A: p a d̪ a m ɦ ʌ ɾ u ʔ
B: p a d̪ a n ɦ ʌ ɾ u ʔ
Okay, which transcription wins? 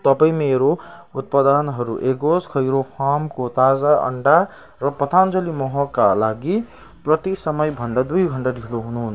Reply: B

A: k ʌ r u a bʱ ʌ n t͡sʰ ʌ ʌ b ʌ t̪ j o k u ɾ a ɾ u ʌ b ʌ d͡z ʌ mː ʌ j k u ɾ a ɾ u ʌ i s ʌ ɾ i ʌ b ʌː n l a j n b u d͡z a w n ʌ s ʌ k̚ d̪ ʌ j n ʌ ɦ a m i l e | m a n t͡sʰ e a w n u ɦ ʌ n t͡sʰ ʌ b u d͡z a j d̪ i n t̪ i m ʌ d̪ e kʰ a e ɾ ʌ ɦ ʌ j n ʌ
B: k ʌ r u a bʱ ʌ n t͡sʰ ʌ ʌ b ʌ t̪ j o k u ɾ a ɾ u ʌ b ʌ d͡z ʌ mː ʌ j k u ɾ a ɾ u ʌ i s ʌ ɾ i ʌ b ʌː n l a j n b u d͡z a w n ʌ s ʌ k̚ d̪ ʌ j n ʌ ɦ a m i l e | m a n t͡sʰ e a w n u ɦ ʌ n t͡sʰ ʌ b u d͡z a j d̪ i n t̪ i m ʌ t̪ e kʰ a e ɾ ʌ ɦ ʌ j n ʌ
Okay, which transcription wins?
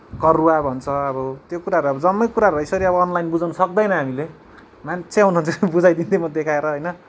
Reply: A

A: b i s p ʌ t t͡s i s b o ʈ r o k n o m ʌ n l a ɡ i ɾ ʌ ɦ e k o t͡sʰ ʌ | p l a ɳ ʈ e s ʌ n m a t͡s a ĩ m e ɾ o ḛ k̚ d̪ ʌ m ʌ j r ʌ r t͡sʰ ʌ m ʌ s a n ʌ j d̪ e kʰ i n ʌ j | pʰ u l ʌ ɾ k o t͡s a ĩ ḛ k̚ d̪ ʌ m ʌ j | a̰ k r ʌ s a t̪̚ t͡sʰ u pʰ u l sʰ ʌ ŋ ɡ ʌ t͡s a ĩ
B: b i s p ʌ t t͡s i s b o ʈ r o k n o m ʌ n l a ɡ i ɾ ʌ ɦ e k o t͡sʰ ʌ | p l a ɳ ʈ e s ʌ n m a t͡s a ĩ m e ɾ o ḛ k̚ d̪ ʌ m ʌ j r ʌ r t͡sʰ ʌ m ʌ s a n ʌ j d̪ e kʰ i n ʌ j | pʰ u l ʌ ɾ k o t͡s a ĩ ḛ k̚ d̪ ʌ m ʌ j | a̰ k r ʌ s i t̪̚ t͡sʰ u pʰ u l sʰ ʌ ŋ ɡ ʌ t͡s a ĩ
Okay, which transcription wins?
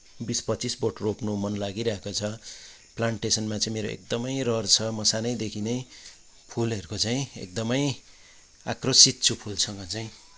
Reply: B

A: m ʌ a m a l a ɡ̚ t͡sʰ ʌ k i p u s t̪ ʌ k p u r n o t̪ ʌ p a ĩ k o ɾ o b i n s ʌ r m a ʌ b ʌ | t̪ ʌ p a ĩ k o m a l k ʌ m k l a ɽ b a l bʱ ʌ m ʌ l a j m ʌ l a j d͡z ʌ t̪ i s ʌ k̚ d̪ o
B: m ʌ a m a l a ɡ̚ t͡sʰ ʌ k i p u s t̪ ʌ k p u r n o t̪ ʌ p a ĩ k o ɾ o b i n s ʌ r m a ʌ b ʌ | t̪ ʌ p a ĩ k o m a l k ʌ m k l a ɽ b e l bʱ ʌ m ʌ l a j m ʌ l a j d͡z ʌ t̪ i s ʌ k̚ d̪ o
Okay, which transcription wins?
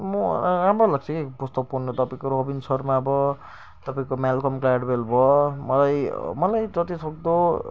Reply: B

